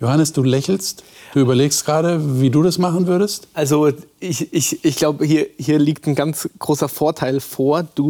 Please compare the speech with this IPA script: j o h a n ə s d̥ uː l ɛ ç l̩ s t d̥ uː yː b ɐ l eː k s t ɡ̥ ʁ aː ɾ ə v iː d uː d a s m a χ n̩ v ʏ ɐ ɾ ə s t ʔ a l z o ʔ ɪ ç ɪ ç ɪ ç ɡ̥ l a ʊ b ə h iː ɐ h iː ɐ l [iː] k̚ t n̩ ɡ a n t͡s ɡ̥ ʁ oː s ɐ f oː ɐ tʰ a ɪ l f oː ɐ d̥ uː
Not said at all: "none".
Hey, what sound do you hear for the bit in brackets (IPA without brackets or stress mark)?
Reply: iː